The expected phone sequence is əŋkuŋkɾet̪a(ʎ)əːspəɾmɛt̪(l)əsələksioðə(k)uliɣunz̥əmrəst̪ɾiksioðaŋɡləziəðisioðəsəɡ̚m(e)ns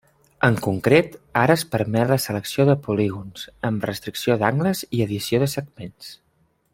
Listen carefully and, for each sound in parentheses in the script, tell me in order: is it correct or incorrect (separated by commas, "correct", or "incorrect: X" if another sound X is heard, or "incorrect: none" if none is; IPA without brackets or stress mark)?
incorrect: ɾ, correct, incorrect: p, correct